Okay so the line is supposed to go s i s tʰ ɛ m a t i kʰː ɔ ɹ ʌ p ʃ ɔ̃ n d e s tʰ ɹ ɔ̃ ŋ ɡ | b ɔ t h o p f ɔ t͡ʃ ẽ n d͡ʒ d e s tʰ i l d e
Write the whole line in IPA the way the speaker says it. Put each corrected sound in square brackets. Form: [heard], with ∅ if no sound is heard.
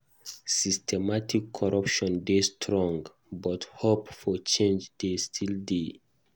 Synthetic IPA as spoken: s i s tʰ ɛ m a t i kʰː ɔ ɹ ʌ p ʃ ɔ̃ n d e s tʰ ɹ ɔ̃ ŋ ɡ | b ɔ t h o p f ɔ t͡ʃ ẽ n d͡ʒ d e s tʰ i l d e